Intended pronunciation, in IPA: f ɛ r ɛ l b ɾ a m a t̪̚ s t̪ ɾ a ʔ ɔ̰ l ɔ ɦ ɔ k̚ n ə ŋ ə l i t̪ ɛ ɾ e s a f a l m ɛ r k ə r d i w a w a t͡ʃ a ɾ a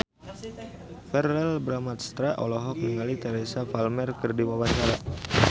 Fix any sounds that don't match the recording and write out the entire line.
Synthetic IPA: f ɛ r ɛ l b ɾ a m a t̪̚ s t̪ ɾ a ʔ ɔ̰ l ɔ ɦ ɔ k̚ n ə ŋ a l i t̪ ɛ ɾ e s a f a l m ɛ r k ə r d i w a w a t͡ʃ a ɾ a